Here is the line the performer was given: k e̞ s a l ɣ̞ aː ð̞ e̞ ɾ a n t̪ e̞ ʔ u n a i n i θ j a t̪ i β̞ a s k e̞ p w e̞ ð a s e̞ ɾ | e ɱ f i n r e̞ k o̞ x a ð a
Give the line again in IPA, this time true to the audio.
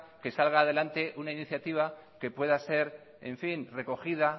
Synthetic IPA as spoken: k e̞ s a l ɣ̞ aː ð̞ e̞ l a n t̪ e̞ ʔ u n a i n i θ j a t̪ i β̞ a k e̞ p w e̞ ð a s e̞ ɾ | e ɱ f i n r e̞ k o̞ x i ð a